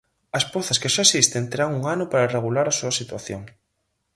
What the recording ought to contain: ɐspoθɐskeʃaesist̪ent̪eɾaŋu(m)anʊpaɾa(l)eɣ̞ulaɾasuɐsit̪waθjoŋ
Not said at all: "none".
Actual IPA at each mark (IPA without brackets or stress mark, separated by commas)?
ŋ, r